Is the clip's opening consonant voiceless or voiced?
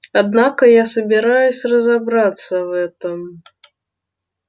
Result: voiced